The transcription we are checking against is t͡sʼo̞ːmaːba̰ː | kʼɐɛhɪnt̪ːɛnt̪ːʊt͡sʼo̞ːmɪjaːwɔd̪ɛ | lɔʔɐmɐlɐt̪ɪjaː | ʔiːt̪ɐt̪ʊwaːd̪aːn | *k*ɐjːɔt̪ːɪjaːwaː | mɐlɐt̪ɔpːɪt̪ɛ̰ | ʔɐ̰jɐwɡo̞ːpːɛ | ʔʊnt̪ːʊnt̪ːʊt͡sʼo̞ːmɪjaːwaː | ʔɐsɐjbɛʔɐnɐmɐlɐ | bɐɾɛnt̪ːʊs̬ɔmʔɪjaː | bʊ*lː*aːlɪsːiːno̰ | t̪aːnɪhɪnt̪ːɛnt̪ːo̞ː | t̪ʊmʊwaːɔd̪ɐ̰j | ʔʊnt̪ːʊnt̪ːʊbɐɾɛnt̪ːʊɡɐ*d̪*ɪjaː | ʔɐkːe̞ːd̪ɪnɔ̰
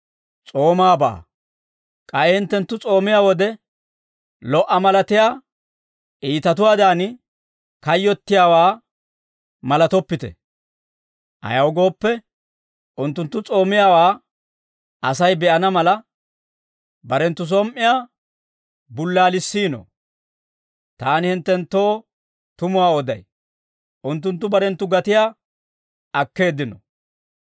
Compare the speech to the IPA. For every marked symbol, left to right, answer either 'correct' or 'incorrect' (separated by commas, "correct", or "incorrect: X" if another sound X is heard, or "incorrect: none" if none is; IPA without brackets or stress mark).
correct, correct, incorrect: t̪